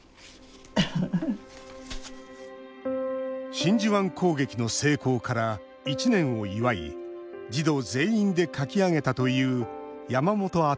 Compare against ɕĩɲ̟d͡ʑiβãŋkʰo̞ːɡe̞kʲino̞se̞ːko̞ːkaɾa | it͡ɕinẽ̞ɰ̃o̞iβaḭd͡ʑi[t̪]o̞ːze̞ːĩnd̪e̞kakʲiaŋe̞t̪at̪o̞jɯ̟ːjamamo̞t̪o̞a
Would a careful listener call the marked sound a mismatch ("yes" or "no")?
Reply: yes